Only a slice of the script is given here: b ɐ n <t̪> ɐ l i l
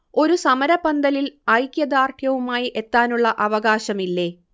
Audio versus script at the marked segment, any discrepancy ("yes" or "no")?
yes